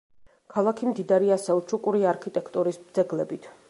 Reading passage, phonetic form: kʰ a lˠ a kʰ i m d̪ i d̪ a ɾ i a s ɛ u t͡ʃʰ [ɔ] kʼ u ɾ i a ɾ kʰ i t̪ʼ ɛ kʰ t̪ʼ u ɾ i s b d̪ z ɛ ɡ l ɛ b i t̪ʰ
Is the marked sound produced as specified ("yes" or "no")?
no